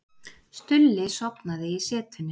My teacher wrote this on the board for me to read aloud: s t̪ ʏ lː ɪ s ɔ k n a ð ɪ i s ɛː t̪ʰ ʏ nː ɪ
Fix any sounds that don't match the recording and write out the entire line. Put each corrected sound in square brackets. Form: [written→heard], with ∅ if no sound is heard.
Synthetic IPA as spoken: s t̪ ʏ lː ɪ s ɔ [k→p] n a ð ɪ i s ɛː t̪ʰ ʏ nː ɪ